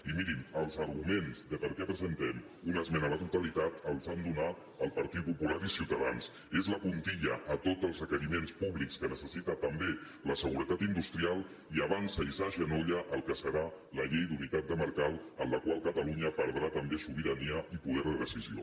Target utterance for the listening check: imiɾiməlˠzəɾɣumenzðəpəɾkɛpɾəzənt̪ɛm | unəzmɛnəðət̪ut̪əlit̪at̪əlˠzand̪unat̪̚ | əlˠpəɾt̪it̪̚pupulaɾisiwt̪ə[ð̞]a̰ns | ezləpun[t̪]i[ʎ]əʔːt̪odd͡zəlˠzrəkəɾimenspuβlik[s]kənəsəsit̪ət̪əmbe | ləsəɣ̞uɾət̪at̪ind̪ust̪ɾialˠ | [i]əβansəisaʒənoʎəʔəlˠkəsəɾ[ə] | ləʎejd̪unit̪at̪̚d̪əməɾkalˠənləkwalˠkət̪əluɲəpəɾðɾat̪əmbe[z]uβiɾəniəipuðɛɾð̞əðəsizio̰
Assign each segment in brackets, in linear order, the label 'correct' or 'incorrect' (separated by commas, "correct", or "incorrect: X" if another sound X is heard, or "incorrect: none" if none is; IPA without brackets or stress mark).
correct, correct, correct, correct, correct, incorrect: a, incorrect: s